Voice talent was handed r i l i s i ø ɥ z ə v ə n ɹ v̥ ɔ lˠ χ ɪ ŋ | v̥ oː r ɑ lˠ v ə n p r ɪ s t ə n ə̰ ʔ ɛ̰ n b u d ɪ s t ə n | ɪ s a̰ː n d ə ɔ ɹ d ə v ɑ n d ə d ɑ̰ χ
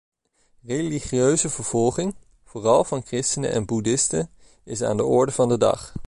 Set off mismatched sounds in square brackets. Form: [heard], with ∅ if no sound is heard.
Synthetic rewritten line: r [e] l i [χ] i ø ɥ z ə v ə [∅] ɹ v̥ ɔ lˠ χ ɪ ŋ | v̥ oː r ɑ lˠ v [ɑ] n [k] r ɪ s t ə n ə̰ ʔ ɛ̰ n b u d ɪ s t ə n | ɪ s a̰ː n d ə ɔ ɹ d ə v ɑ n d ə d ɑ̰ χ